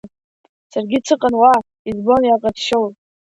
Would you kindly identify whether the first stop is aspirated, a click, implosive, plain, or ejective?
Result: plain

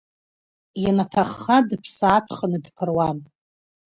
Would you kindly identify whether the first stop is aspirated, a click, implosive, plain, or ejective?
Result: aspirated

